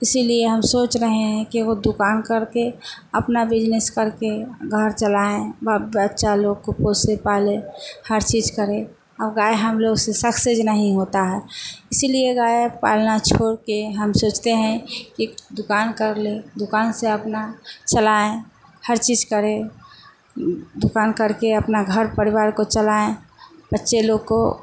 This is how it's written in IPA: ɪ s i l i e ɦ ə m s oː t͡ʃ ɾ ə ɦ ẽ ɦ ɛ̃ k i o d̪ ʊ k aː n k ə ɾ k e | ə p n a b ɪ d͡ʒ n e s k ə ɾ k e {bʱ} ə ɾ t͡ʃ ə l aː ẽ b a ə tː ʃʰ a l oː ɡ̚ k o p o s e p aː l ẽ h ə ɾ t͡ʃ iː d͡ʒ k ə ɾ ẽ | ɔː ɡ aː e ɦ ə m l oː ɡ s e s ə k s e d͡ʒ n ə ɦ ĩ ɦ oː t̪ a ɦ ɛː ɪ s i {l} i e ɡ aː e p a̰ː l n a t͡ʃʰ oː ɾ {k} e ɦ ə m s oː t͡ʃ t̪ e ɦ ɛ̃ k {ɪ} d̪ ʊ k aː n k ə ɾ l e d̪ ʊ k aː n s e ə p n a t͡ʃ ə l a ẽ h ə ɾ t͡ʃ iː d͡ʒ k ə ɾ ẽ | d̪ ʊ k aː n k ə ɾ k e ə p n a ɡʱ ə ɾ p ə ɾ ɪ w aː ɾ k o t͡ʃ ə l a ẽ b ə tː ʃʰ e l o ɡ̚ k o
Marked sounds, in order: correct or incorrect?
incorrect: ɡʱ, correct, correct, incorrect: i

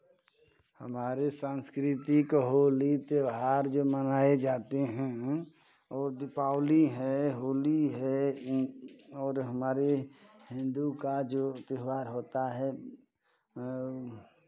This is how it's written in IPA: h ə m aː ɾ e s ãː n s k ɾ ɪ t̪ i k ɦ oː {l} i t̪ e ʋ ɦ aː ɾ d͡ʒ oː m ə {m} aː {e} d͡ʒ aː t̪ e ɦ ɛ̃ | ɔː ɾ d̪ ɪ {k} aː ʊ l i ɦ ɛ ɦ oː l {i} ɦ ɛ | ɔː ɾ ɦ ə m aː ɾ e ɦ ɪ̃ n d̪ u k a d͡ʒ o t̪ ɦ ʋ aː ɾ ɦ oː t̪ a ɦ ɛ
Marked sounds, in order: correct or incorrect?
correct, incorrect: n, correct, incorrect: p, correct

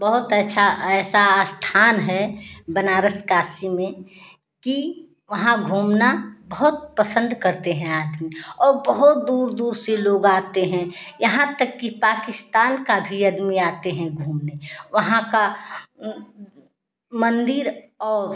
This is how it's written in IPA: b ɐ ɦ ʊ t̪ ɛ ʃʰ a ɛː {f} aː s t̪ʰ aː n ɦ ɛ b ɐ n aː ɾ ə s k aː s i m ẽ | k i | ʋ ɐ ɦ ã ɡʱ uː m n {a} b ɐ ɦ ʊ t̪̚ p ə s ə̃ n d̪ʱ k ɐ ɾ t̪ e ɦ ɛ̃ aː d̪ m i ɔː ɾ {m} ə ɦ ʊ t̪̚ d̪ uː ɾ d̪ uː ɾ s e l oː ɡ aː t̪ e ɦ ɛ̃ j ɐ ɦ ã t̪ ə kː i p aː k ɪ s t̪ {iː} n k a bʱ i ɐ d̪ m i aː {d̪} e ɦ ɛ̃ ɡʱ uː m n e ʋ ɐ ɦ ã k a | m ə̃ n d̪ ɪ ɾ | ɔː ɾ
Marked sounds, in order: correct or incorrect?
incorrect: s, correct, incorrect: b, incorrect: aː, incorrect: t̪

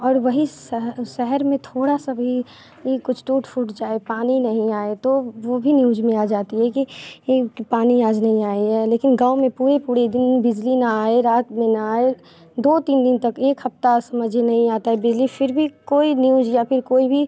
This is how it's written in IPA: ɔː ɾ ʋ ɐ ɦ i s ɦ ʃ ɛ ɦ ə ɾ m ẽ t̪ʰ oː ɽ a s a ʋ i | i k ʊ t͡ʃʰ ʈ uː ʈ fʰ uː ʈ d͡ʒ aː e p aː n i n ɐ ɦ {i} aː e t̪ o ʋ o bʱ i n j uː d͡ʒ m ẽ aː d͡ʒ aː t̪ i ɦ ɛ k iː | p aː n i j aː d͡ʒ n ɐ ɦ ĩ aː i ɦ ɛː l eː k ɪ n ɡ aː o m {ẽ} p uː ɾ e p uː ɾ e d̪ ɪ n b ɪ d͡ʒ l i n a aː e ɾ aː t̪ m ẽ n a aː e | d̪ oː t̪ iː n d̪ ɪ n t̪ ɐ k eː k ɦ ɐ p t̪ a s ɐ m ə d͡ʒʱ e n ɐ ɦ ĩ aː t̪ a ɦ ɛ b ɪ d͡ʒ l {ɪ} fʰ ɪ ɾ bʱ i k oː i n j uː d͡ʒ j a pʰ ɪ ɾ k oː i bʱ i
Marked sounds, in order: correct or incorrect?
incorrect: ĩ, correct, incorrect: i

